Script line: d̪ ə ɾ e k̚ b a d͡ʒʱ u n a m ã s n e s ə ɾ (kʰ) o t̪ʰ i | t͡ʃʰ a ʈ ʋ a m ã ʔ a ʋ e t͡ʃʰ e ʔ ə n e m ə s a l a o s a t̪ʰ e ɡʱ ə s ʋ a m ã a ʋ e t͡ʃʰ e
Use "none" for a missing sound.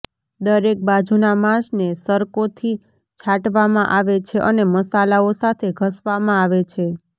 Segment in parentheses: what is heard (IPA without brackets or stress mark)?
k